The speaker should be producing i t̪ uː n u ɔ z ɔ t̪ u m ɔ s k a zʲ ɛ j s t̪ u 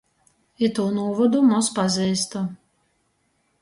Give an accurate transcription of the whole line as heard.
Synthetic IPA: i t̪ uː n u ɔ v ɔ d̪ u m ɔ s p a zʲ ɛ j s t̪ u

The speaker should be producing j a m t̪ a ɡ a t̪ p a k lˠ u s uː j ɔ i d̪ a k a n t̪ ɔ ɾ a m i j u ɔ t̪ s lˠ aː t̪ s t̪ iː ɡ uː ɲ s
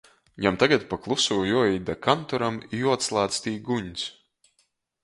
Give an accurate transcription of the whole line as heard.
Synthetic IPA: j a m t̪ a ɡ a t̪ p a k lˠ u s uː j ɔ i d̪ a k a n t̪ ɔ ɾ a m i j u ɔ t̪ s lˠ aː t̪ s t̪ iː ɡ u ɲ s

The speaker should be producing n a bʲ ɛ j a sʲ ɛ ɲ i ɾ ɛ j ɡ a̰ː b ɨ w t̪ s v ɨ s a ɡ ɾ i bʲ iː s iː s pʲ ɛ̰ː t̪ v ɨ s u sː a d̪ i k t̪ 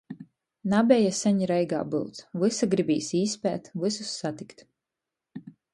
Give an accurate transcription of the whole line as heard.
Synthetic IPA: n a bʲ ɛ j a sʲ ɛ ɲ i ɾ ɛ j ɡ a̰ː b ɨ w t̪ s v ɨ s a ɡ ɾ i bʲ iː s iː s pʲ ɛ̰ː t̪ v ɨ s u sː a t̪ i k t̪

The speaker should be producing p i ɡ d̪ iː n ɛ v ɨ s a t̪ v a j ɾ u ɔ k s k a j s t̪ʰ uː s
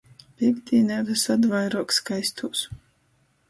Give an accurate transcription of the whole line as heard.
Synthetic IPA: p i ɡ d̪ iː n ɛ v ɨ s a d̪ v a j ɾ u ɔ k s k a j s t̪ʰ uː s

